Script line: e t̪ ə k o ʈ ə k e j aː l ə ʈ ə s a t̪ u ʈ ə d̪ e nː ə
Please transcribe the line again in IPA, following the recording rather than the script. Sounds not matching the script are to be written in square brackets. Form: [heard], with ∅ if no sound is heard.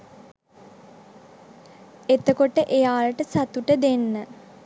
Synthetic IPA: e t̪ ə k o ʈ ə [ʔ] e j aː l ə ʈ ə s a t̪ u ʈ ə d̪ e nː ə

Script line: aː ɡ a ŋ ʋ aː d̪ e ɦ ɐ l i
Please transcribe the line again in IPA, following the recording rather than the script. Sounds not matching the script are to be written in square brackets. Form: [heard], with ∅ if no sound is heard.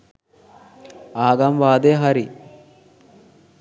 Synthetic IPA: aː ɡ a [m] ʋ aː d̪ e ɦ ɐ [ɾ] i

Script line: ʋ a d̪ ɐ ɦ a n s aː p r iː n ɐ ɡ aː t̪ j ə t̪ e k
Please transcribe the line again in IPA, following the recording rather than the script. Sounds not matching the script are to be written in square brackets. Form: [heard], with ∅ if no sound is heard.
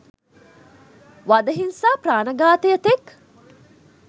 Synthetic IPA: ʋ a d̪ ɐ ɦ [i] n s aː p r [aː] n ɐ ɡ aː t̪ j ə t̪ e k

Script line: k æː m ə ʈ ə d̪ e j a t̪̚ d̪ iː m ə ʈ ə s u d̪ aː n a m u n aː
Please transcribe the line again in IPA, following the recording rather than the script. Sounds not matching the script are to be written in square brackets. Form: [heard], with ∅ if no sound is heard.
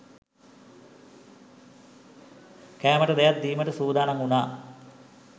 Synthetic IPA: k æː m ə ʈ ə d̪ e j a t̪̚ d̪ iː m ə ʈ ə s [uː] d̪ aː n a [ŋ] u n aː

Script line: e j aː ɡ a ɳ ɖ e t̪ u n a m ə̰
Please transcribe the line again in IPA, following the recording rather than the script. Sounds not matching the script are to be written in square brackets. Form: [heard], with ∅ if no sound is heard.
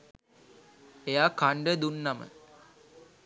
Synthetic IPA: e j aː [k] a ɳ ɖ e [d̪] u [nː] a m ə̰

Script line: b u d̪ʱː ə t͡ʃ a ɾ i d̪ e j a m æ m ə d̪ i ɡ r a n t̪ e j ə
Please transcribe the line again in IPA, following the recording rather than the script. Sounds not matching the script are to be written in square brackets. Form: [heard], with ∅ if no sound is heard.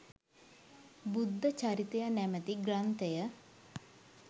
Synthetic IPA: b u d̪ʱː ə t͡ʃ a ɾ i [t̪] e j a [n] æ m ə [t̪] i ɡ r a n t̪ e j ə

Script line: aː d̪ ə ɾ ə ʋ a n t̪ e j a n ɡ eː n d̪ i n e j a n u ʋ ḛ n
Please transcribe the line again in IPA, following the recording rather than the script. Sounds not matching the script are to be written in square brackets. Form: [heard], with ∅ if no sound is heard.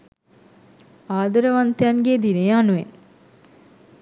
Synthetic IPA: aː d̪ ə ɾ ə ʋ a n t̪ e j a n ɡ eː [∅] d̪ i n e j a n u ʋ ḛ n

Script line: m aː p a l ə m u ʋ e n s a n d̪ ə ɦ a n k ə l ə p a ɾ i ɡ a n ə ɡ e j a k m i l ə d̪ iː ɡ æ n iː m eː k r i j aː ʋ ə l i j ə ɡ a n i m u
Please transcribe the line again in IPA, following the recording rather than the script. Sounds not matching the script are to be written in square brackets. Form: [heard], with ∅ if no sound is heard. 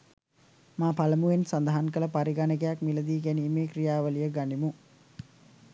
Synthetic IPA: m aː p a l ə m u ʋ e n s a n d̪ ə ɦ a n k ə l ə p a ɾ i ɡ a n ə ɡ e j a k m i l ə d̪ iː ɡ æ n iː m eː k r i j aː ʋ ə l i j ə ɡ a n i m u

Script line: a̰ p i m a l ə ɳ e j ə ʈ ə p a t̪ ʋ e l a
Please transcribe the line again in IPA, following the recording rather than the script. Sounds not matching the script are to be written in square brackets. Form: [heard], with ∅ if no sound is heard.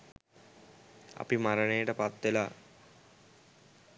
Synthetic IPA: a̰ p i m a [ɾ] ə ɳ e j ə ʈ ə p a t̪ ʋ e l a

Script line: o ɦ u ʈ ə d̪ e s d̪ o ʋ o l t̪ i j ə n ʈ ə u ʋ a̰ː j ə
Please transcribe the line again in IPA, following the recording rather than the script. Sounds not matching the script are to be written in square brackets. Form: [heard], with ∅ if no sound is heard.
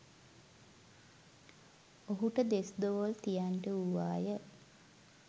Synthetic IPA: o ɦ u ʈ ə d̪ e s d̪ o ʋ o l t̪ i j [a] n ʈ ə u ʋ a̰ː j ə

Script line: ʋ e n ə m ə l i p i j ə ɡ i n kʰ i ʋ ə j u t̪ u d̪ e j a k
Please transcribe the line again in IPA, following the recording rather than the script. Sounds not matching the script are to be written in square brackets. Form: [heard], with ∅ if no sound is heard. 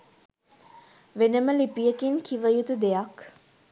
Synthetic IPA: ʋ e n ə m ə l i p i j ə [k] i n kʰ i ʋ ə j u t̪ u d̪ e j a k

